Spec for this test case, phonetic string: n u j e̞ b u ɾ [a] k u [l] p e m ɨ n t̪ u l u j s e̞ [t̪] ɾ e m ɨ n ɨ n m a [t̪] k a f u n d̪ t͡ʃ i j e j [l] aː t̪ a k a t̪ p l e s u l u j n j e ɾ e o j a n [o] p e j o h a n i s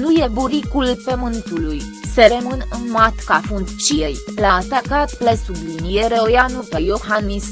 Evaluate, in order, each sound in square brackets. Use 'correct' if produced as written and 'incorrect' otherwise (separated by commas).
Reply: incorrect, correct, incorrect, correct, correct, incorrect